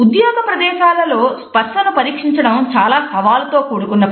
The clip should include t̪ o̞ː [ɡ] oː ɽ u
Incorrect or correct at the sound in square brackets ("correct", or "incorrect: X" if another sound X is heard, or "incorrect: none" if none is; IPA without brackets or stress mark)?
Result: incorrect: k